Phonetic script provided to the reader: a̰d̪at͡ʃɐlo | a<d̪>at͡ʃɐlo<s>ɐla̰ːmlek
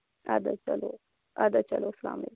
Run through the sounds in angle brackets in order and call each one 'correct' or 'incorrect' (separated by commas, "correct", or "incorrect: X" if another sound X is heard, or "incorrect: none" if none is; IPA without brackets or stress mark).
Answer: correct, correct